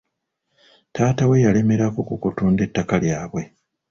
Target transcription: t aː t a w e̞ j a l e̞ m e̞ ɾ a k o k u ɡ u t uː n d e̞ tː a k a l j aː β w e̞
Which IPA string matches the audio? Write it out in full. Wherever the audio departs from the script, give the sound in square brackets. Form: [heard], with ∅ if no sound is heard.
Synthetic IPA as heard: t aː t a w e̞ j a l e̞ m e̞ ɾ a k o k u [k] u t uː n d e̞ tː a k a l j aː β w e̞